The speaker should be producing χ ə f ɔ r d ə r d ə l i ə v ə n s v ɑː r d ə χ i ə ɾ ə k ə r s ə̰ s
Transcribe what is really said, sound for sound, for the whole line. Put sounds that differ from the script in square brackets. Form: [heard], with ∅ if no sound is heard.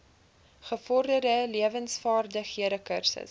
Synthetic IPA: χ ə f ɔ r d ə r d ə l i ə v ə n s [f] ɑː r d ə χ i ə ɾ ə k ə r s ə̰ s